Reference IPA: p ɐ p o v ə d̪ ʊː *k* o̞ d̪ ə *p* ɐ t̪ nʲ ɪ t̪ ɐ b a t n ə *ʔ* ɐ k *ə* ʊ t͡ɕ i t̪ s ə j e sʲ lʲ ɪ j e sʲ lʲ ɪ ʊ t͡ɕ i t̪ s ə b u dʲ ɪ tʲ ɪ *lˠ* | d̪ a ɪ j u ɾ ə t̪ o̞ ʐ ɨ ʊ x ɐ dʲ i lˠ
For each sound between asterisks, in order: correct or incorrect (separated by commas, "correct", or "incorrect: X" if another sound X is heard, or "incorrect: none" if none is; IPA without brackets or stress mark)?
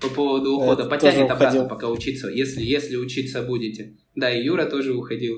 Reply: incorrect: x, correct, incorrect: p, incorrect: a, incorrect: none